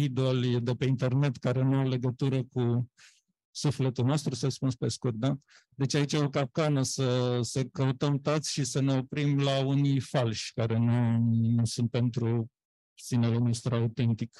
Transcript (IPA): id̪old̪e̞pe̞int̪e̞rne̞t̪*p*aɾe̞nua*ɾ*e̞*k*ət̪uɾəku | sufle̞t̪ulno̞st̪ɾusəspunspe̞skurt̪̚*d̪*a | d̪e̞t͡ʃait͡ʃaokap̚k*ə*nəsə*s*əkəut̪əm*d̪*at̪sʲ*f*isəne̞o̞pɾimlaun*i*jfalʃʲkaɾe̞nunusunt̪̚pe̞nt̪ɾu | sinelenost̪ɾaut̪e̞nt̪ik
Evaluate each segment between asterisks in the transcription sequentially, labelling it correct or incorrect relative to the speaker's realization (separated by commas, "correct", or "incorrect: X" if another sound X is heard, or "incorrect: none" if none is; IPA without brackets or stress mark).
incorrect: k, incorrect: l, incorrect: ɡ, correct, incorrect: a, correct, incorrect: t̪, incorrect: ʃ, correct